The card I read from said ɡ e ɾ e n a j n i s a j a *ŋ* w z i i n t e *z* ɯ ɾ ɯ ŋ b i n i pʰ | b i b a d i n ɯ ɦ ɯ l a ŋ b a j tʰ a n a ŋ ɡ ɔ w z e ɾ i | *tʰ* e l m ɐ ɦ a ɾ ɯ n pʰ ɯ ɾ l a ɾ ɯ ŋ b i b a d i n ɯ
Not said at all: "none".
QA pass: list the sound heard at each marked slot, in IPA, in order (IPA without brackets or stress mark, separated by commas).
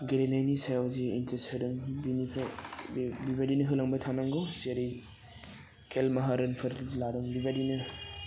none, s, kʰ